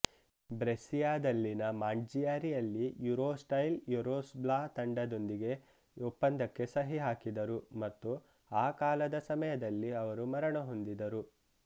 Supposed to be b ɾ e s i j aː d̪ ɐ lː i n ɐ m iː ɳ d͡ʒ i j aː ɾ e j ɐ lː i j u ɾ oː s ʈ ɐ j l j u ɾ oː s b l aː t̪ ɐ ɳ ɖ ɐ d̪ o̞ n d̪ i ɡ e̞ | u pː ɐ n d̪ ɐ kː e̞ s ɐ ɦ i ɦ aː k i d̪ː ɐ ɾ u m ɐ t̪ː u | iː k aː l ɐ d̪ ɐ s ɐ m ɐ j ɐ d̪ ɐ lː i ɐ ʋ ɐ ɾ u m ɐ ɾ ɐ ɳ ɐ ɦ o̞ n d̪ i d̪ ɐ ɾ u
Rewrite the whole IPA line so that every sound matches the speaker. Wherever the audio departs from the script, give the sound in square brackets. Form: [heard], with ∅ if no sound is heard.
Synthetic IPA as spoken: b ɾ e s i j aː d̪ ɐ lː i n ɐ m [aː] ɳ d͡ʒ i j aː ɾ [i] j ɐ lː i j u ɾ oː s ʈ ɐ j l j u ɾ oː s b l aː t̪ ɐ ɳ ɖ ɐ d̪ o̞ n d̪ i ɡ e̞ | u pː ɐ n d̪ ɐ kː e̞ s ɐ ɦ i ɦ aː k i [d̪] ɐ ɾ u m ɐ t̪ː u | [aː] k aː l ɐ d̪ ɐ s ɐ m ɐ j ɐ d̪ ɐ lː i ɐ ʋ ɐ ɾ u m ɐ ɾ ɐ ɳ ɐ ɦ o̞ n d̪ i d̪ ɐ ɾ u